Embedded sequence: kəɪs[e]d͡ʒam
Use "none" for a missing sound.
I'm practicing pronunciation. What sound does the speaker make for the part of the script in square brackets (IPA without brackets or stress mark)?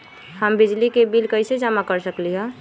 e